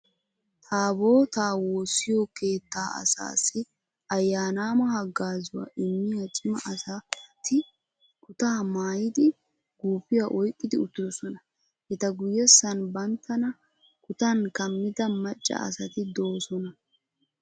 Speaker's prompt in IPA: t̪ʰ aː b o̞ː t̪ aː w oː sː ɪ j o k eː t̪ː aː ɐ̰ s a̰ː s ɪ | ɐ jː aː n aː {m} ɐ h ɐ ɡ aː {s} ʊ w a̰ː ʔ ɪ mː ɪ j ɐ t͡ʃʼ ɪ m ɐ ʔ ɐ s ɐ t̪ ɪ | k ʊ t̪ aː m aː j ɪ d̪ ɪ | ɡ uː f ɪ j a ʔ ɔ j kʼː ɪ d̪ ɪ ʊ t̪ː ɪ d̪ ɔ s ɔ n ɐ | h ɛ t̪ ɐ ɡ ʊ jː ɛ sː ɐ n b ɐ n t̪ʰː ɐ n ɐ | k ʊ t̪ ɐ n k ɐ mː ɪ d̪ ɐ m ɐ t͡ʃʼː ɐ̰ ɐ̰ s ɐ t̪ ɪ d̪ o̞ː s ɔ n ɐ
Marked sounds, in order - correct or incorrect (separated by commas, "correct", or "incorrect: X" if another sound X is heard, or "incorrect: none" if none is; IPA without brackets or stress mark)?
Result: correct, incorrect: z